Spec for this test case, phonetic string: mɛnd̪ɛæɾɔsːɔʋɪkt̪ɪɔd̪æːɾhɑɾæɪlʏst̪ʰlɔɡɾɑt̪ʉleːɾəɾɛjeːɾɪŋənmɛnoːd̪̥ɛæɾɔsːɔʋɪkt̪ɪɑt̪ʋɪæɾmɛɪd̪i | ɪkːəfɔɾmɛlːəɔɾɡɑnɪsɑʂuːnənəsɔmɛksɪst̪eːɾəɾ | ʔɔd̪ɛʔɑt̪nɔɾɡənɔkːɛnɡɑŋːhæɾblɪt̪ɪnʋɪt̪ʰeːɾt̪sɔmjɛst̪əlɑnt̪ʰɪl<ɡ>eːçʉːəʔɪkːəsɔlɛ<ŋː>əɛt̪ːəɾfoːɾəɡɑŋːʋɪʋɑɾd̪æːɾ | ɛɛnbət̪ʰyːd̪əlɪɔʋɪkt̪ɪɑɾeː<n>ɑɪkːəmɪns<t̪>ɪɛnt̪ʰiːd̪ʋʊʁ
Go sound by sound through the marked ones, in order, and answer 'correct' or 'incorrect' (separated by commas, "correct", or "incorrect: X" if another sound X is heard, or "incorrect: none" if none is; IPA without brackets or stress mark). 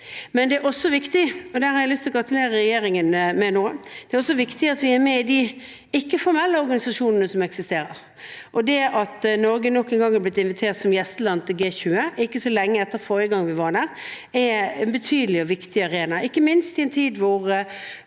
correct, correct, correct, correct